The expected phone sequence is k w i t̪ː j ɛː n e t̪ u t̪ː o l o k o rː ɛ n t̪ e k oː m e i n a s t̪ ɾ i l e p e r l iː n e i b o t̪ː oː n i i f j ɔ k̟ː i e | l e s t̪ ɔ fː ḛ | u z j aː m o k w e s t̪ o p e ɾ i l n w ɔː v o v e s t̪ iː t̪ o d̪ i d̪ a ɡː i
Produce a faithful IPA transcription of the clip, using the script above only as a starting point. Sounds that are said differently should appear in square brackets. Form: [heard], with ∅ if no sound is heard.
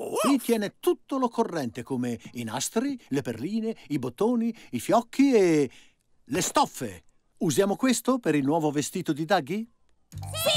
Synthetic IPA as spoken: k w i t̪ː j ɛː n e t̪ u t̪ː o l o k o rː ɛ n t̪ e k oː m e i n a s t̪ ɾ i l e p e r l iː n e i b o t̪ː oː n i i f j ɔ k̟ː i e | l e s t̪ ɔ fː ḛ | u z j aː m o k w e s t̪ o p e ɾ i l n w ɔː v o v e s t̪ iː t̪ o d̪ i d̪ a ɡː i

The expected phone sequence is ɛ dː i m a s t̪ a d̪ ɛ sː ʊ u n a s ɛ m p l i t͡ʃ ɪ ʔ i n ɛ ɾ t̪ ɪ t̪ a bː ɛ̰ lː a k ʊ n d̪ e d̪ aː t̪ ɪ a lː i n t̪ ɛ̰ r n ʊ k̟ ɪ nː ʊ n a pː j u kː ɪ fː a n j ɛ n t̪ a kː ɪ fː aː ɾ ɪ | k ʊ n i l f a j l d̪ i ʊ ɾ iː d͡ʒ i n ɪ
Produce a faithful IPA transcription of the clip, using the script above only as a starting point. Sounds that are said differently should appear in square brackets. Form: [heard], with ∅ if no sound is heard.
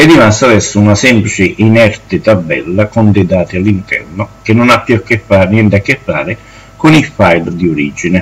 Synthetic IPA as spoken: ɛ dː i m a s t̪ a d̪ ɛ sː ʊ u n a s ɛ m p l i t͡ʃ ɪ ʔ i n ɛ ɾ t̪ ɪ t̪ a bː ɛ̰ lː a k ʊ n d̪ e d̪ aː t̪ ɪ a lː i n t̪ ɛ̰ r n ʊ k̟ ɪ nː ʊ n a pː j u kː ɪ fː a n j ɛ n t̪ a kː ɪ fː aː ɾ ɪ | k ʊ n i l f a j l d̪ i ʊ ɾ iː d͡ʒ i n ɪ

